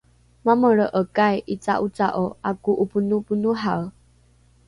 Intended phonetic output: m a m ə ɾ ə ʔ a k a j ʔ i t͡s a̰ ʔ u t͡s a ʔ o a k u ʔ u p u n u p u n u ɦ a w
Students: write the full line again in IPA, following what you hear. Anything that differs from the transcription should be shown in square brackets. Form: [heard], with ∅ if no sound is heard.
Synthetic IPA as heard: m a m ə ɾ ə ʔ [ə] k a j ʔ i t͡s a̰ ʔ u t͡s a ʔ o a k u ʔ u p u n u p u n u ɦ a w